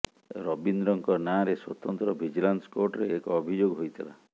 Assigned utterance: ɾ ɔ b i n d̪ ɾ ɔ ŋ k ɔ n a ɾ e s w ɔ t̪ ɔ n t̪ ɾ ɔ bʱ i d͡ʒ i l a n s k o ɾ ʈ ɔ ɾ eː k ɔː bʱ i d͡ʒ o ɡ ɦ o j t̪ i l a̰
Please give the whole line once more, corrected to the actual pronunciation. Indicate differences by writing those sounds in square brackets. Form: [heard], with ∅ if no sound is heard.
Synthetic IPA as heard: ɾ ɔ b i n d̪ ɾ ɔ ŋ k ɔ n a ɾ e s w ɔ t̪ ɔ n t̪ ɾ ɔ bʱ i d͡ʒ i l a n s k o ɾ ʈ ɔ ɾ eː k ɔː bʱ i d͡ʒ o ɡ ɦ o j [t̪ʰ] i l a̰